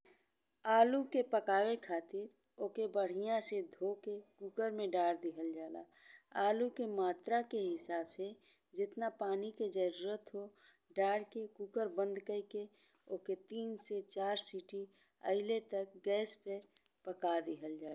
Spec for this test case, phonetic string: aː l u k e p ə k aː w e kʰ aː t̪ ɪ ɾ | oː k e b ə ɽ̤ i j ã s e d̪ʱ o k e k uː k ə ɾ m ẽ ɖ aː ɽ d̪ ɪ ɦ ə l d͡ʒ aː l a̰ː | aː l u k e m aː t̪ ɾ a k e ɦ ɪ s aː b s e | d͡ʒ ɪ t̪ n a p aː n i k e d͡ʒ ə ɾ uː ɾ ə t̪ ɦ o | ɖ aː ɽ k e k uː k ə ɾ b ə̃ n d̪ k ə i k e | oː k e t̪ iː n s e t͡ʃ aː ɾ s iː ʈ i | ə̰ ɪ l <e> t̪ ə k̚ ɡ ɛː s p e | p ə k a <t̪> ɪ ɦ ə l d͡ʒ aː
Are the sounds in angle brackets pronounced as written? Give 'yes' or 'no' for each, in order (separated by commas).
yes, no